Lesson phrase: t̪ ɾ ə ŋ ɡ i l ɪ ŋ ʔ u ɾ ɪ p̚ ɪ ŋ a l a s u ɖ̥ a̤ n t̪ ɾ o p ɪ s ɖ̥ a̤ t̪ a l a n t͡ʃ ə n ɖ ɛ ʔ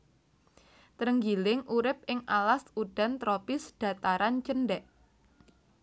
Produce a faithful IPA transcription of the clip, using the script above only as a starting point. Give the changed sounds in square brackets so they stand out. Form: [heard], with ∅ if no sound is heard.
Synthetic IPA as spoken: t̪ ɾ ə ŋ ɡ i l ɪ ŋ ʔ u ɾ ɪ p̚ ɪ ŋ a l a s u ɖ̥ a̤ n t̪ ɾ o p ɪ s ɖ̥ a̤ t̪ a [ɾ] a n t͡ʃ ə n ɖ ɛ ʔ